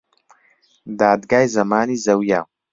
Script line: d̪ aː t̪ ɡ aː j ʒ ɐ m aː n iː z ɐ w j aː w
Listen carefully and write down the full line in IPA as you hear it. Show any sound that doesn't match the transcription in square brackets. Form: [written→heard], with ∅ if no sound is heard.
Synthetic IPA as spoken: d̪ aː [t̪→d̪] ɡ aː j [ʒ→z] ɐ m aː n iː z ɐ w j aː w